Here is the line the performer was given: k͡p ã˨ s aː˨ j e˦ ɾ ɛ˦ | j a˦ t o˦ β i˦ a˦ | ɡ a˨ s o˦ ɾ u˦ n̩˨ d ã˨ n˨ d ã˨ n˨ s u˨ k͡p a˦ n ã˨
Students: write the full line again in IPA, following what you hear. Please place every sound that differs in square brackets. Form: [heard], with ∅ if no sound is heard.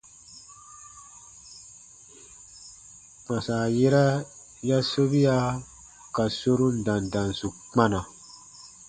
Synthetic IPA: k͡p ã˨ s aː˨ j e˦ ɾ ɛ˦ | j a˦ [s] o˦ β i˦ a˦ | [k] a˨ s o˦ ɾ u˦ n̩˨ d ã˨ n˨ d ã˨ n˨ s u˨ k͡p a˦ n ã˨